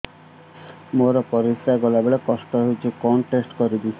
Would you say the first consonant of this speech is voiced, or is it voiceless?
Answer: voiced